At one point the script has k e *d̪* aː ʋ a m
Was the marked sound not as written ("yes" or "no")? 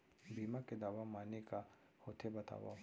no